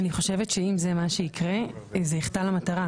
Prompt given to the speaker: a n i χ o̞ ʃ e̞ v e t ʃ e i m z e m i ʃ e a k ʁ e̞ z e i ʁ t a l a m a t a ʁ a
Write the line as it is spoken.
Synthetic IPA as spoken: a n i χ o̞ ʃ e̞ v e t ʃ e i m z e m a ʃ e i k ʁ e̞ z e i χ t a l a m a t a ʁ a